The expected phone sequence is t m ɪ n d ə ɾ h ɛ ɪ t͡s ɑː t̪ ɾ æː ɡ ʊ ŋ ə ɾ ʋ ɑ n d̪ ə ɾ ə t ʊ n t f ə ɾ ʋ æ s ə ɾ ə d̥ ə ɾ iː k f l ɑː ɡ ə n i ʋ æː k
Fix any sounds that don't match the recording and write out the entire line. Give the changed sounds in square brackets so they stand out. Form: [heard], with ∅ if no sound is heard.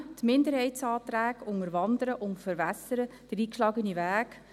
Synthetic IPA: t m ɪ n d ə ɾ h ɛ ɪ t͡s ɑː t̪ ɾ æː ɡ ʊ ŋ ə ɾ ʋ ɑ n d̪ ə ɾ ə [ʔ] ʊ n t f ə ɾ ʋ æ s ə ɾ ə d̥ ə ɾ iː k [ʃ] l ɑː ɡ ə n i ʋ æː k